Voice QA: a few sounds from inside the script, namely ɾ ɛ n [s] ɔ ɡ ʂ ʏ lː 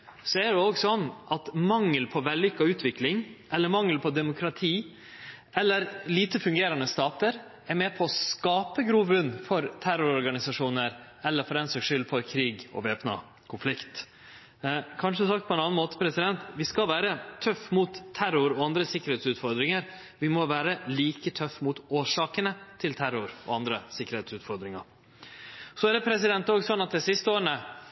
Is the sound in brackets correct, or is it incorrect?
correct